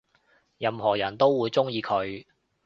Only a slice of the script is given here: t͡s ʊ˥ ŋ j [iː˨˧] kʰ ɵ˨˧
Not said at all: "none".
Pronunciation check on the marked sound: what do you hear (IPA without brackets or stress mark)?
iː˨˧